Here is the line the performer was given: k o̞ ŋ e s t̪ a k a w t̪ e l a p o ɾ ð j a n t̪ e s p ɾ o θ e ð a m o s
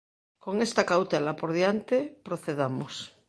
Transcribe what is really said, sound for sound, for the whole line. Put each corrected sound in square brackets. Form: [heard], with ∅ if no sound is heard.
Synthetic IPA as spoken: k o̞ ŋ e s t̪ a k a w t̪ e l a p o ɾ ð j a n t̪ e [∅] p ɾ o θ e ð a m o s